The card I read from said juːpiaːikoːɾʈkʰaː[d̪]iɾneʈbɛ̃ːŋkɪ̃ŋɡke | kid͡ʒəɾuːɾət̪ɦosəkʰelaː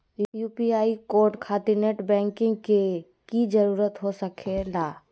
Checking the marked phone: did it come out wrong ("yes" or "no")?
yes